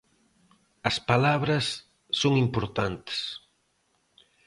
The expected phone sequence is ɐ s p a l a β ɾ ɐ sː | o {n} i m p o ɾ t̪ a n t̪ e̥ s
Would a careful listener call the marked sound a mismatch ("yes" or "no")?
yes